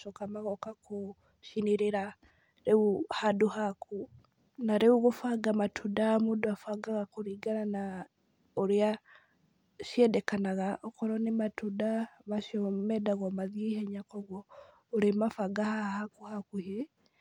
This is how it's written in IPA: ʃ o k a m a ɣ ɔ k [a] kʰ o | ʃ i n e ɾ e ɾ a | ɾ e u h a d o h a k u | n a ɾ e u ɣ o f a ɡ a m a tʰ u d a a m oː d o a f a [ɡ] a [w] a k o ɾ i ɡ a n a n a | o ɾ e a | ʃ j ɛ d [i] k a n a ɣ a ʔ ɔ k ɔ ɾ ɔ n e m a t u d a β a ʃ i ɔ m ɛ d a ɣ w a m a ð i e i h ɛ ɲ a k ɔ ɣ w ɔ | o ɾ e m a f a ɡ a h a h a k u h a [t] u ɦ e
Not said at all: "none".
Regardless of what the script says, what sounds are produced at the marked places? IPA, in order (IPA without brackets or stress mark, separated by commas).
a, ɡ, ɣ, ɛ, k